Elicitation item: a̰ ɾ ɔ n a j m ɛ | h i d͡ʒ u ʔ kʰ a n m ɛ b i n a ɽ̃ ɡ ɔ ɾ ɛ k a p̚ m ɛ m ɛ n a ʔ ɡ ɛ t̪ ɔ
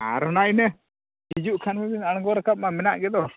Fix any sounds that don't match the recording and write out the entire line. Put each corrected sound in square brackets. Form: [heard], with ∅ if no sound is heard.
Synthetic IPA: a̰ ɾ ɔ n a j [n] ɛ | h i d͡ʒ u ʔ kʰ a n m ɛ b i n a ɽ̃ ɡ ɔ ɾ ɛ k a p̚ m [a] m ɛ n a ʔ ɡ ɛ [d̪] ɔ